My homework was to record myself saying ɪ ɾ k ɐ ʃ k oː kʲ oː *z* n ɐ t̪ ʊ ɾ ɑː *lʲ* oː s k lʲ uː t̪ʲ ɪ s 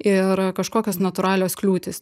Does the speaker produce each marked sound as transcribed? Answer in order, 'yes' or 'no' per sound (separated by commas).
no, yes